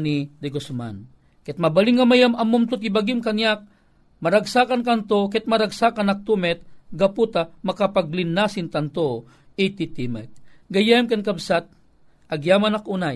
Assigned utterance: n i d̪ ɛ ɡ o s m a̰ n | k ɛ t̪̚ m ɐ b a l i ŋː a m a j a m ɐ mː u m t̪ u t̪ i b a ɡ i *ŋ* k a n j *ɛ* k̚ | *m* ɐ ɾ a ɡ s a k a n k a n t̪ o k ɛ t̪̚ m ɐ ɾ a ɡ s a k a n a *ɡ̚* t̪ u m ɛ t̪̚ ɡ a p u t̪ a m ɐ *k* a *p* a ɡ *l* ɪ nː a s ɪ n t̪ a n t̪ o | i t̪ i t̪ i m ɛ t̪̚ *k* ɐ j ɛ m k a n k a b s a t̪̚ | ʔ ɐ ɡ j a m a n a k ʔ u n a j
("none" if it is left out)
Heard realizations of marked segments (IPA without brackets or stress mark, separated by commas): m, a, m, k̚, k, p, l, ɡ